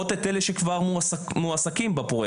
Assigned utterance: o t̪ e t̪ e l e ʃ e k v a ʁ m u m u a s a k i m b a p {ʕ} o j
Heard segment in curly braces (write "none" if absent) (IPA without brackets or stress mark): ʁ